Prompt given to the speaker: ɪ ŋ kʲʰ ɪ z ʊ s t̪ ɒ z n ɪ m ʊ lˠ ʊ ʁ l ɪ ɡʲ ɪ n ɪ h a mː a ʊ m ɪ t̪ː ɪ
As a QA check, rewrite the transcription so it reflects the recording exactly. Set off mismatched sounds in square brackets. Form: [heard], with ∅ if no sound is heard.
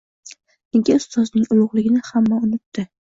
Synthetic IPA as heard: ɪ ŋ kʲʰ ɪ [∅] ʊ s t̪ ɒ z n ɪ [ŋ] ʊ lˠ ʊ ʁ l ɪ ɡʲ ɪ n ɪ h a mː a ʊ [n] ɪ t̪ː ɪ